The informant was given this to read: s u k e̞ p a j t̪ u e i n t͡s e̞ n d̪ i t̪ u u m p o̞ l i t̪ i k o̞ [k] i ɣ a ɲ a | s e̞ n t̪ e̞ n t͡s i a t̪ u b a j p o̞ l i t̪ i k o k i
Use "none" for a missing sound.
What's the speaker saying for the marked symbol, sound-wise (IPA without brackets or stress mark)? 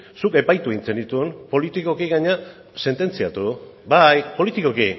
k